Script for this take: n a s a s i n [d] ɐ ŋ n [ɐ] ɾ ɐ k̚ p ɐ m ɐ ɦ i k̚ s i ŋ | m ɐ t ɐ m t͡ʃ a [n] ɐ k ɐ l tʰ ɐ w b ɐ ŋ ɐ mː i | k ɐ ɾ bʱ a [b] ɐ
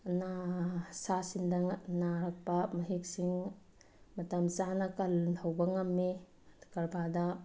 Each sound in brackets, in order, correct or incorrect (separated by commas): correct, incorrect, correct, incorrect